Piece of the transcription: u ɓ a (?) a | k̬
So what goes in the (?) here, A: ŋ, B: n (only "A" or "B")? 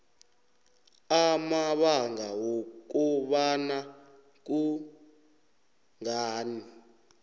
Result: B